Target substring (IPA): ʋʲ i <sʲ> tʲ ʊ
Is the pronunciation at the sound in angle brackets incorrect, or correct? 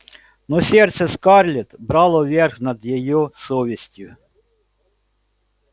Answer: correct